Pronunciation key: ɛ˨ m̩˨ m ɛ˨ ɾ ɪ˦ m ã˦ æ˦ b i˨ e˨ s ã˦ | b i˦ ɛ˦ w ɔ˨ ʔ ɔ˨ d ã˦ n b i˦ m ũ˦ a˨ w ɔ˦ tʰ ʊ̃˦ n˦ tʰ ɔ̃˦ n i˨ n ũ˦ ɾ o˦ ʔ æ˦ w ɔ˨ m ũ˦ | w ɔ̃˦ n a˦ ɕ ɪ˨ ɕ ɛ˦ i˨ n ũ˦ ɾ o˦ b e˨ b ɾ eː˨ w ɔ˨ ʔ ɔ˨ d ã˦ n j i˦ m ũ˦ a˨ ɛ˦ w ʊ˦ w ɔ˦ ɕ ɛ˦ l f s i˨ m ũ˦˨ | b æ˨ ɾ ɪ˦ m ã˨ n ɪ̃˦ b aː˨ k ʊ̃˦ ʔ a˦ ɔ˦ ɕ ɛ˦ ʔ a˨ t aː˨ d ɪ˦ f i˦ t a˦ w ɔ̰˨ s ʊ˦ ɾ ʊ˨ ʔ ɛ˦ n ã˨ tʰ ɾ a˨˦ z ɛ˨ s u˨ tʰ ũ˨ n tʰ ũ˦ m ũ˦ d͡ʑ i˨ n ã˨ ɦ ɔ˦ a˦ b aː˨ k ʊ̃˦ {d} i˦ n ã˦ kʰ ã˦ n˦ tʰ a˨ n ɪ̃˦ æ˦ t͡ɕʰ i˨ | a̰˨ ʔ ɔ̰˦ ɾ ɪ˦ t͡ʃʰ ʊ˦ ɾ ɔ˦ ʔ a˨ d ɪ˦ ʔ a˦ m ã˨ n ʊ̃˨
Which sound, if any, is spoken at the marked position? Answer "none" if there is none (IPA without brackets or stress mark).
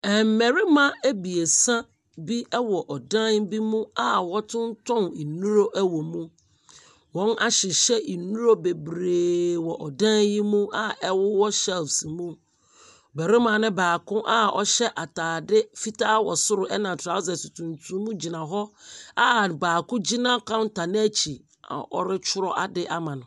d͡ʑ